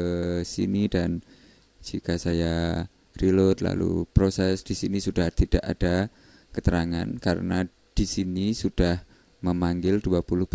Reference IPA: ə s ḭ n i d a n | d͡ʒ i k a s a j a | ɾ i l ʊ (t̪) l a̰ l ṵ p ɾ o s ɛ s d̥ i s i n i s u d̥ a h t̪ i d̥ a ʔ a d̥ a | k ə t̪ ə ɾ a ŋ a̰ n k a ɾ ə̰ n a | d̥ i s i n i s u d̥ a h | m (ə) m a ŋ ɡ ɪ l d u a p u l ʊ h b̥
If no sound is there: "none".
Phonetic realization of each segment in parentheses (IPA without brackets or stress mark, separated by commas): t̪, ə